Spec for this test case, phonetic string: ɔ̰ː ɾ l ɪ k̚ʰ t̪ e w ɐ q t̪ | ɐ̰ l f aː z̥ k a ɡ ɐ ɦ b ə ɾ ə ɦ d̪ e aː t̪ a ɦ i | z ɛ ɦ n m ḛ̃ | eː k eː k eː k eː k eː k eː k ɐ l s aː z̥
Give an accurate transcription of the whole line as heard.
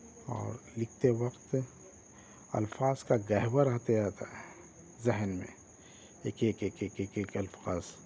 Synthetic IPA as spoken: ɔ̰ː ɾ l ɪ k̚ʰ t̪ e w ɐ q t̪ | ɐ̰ l f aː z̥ k a ɡ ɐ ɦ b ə ɾ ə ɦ t̪ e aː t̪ a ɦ ɛ | z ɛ ɦ n m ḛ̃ | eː k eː k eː k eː k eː k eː k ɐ l f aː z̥